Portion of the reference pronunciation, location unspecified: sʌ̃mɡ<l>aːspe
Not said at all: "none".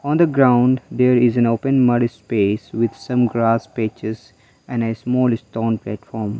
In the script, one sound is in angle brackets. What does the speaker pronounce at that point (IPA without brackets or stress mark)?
ɾ